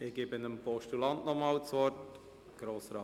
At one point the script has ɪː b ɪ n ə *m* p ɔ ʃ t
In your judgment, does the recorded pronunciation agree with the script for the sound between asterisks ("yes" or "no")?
yes